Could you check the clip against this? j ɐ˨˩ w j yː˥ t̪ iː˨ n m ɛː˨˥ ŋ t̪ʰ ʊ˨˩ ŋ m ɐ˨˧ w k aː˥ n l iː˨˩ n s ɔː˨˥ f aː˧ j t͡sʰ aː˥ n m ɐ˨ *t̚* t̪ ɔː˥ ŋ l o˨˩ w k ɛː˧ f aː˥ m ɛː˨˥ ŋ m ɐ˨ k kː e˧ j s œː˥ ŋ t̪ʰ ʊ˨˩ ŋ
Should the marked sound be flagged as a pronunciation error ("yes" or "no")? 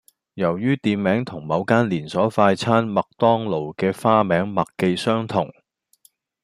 yes